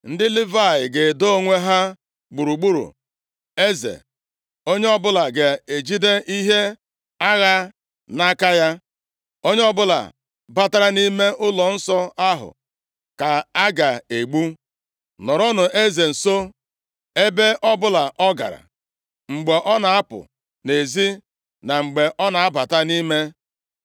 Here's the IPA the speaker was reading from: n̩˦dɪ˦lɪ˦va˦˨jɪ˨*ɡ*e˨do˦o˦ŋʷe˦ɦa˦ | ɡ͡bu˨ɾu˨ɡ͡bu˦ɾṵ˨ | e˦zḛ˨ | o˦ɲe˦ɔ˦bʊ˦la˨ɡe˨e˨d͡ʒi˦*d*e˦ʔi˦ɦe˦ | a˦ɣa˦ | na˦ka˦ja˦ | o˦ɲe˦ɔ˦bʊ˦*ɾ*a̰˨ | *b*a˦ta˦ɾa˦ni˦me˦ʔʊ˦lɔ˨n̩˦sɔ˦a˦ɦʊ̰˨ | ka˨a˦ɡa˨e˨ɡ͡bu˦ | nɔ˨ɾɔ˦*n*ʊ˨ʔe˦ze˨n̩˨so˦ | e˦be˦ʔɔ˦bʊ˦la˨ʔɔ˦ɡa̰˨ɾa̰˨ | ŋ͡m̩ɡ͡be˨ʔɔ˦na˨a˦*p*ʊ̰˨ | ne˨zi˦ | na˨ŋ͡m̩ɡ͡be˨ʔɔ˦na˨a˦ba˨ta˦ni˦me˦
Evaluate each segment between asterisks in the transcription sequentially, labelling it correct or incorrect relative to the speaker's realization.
correct, correct, incorrect: l, correct, correct, correct

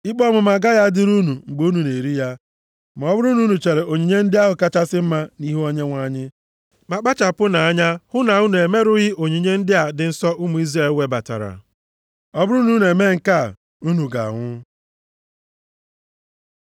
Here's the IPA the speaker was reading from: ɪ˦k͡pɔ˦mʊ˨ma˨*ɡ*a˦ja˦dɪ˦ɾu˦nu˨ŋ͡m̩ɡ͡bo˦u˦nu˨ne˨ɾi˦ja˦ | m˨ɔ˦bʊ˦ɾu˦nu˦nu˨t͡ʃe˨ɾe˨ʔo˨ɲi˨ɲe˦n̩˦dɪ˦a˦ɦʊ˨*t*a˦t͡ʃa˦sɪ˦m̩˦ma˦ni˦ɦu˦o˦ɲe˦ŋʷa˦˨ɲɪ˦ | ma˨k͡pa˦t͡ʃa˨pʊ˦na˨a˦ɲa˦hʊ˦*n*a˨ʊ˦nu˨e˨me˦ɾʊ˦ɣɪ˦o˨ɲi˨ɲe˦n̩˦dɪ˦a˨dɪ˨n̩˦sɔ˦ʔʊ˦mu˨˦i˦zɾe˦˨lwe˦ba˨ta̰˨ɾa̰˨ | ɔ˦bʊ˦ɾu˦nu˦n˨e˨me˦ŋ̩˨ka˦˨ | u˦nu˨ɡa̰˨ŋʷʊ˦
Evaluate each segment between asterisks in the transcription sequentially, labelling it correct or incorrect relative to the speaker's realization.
correct, incorrect: k, correct

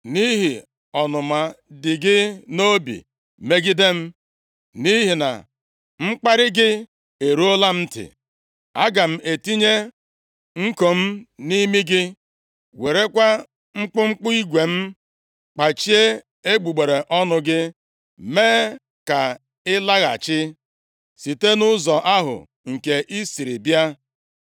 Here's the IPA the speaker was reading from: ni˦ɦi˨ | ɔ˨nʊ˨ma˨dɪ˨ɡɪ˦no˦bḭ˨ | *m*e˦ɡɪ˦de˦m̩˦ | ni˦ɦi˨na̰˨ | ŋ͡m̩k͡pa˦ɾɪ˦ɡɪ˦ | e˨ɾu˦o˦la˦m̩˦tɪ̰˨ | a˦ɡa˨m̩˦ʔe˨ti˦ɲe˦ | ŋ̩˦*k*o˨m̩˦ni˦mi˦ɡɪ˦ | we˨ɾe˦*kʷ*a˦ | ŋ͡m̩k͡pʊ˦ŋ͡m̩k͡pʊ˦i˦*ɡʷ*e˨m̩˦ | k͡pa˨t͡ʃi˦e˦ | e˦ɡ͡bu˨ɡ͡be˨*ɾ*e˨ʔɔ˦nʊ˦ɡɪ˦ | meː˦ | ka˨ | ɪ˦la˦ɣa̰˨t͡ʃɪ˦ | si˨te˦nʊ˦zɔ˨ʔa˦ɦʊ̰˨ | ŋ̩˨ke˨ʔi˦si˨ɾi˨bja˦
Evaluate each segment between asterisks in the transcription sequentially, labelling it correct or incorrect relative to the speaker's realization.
correct, correct, correct, correct, correct

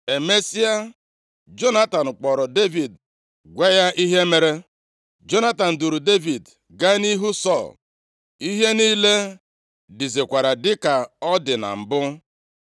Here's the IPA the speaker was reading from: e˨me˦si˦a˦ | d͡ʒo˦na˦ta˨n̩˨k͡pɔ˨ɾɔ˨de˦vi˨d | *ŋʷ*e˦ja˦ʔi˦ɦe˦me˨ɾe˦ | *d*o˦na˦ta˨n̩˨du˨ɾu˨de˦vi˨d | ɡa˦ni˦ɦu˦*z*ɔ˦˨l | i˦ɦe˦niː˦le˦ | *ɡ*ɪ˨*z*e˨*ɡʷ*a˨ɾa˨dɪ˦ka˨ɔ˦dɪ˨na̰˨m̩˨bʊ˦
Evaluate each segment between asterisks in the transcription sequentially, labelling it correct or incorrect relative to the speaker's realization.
incorrect: ɡʷ, incorrect: d͡ʒ, incorrect: s, incorrect: d, correct, incorrect: kʷ

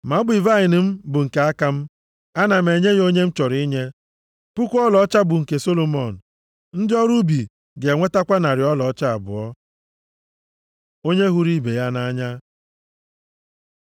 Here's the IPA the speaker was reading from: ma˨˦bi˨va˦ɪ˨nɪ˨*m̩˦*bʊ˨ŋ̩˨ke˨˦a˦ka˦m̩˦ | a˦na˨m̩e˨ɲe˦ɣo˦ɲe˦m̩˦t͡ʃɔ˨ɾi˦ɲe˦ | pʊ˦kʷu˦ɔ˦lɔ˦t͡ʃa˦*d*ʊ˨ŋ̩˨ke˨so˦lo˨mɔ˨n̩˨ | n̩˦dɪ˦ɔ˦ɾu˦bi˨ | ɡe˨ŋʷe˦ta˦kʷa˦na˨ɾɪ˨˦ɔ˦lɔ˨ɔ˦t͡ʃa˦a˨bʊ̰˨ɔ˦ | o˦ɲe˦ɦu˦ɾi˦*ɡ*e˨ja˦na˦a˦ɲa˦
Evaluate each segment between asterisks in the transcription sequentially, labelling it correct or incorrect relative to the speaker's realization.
correct, incorrect: b, incorrect: b

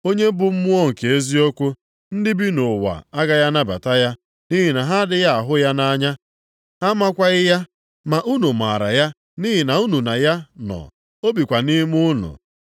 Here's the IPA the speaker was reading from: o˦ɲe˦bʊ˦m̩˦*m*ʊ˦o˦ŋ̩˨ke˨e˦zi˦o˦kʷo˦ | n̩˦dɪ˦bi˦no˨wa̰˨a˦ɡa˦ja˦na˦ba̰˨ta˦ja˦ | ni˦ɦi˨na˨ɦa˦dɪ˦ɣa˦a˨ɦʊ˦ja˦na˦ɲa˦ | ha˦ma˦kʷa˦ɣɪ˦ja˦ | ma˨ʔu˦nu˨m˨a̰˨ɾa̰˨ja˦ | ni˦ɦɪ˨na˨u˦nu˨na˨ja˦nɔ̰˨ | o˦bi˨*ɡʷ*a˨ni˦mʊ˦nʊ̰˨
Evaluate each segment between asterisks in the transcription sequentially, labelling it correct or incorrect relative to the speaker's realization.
correct, incorrect: kʷ

